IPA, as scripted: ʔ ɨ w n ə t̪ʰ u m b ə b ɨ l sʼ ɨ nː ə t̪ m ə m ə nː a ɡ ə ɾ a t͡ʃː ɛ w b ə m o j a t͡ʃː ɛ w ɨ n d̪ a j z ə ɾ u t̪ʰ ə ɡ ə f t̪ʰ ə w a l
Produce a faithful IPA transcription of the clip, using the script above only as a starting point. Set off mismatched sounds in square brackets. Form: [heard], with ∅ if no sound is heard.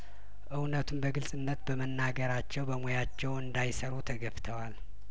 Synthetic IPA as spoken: ʔ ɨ w n ə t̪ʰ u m b ə [ɡ] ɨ l sʼ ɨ nː ə t̪ [b] ə m ə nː a ɡ ə ɾ a t͡ʃː ɛ w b ə m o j a t͡ʃː ɛ w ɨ n d̪ a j [s] ə ɾ u t̪ʰ ə ɡ ə f t̪ʰ ə w a l

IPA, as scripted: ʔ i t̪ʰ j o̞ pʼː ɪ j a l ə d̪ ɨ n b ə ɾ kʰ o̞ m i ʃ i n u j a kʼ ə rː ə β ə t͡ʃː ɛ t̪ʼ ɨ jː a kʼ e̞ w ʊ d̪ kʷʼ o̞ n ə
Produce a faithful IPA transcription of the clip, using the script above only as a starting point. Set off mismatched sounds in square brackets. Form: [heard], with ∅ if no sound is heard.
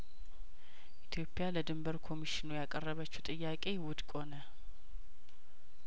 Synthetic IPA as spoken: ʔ i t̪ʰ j o̞ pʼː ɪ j a l ə d̪ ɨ [m] b ə ɾ kʰ o̞ m i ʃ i n u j a kʼ ə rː ə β ə t͡ʃː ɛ t̪ʼ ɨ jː a kʼ e̞ w ʊ d̪ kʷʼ o̞ n ə

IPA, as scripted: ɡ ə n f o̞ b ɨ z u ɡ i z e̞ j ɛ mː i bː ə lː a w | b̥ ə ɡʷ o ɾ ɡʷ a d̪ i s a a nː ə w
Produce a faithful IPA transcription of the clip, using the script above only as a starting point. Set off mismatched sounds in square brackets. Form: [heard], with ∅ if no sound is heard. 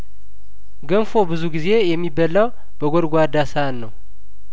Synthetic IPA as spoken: ɡ ə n f o̞ b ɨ z u ɡ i z e̞ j ɛ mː i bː ə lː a w | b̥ ə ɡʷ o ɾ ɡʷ a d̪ [a] s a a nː ə w

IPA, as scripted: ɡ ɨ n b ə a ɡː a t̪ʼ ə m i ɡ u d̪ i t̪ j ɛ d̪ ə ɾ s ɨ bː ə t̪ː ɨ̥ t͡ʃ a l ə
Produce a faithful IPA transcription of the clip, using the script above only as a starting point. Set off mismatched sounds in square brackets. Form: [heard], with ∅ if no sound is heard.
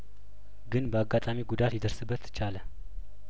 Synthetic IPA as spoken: ɡ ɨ n b ə a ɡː a t̪ʼ [a] m i ɡ u d̪ [a] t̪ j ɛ d̪ ə ɾ s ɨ bː ə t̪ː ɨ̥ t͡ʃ a l ə

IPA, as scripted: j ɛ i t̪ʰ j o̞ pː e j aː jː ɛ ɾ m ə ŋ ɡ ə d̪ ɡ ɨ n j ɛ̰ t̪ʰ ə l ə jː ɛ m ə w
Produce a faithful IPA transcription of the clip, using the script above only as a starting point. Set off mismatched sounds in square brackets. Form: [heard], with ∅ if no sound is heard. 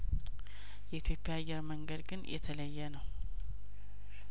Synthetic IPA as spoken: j ɛ i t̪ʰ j o̞ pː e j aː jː ɛ ɾ m ə ŋ ɡ ə d̪ ɡ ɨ n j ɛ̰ t̪ʰ ə l ə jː ɛ [n] ə w

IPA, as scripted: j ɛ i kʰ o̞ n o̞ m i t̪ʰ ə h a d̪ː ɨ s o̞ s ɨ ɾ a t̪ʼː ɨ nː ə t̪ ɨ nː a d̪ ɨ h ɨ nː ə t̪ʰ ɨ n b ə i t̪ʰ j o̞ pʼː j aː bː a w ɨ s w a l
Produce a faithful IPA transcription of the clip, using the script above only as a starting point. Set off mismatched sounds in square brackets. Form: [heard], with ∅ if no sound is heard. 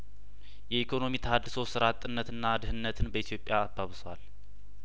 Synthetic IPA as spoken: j ɛ i kʰ o̞ n o̞ m i t̪ʰ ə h a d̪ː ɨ s o̞ s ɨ ɾ a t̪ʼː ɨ nː ə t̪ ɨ nː a d̪ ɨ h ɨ nː ə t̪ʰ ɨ n b ə i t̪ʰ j o̞ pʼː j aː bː a [β] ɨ s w a l

